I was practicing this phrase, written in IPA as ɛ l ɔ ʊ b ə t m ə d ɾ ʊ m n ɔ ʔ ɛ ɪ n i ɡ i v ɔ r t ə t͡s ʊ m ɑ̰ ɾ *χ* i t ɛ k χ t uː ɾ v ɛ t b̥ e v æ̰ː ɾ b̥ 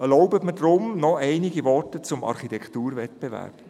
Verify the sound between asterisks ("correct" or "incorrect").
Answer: correct